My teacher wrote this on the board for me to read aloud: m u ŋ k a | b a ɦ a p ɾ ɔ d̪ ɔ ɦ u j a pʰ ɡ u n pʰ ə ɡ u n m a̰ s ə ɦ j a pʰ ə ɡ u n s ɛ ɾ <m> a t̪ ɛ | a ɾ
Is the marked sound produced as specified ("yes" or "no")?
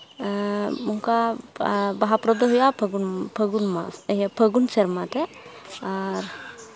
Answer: yes